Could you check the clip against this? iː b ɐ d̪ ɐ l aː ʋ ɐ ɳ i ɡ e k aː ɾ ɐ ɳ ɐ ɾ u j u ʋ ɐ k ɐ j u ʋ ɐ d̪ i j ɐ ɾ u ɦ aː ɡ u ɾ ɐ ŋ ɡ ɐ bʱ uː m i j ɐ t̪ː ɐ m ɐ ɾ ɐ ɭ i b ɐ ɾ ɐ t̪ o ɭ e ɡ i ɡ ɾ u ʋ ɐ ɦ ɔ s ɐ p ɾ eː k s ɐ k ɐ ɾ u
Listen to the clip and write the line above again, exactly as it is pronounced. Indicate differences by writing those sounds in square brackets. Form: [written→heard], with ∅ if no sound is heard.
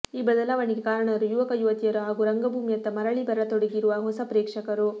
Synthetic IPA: iː b ɐ d̪ ɐ l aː ʋ ɐ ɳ i ɡ e k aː ɾ ɐ ɳ ɐ ɾ u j u ʋ ɐ k ɐ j u ʋ ɐ [d̪→t̪] i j ɐ ɾ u ɦ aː ɡ u ɾ ɐ ŋ ɡ ɐ bʱ uː m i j ɐ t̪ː ɐ m ɐ ɾ ɐ ɭ i b ɐ ɾ ɐ t̪ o [ɭ→ɽ] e ɡ i [ɡ→∅] ɾ u ʋ ɐ ɦ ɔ s ɐ p ɾ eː k [s→ʂ] ɐ k ɐ ɾ u